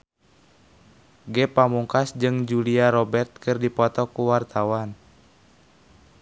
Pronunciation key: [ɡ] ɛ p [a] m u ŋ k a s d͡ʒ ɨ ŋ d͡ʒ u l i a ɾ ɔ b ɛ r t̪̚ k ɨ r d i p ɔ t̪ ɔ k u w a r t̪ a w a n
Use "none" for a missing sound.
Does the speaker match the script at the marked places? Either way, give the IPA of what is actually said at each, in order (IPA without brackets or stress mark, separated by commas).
ɡ, a